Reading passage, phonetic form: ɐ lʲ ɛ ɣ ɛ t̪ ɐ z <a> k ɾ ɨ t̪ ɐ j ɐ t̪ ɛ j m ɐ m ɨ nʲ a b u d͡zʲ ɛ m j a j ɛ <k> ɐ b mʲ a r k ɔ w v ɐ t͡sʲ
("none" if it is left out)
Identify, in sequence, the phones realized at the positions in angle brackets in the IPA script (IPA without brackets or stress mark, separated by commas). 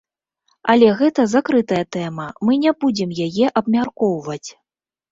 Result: a, ʔ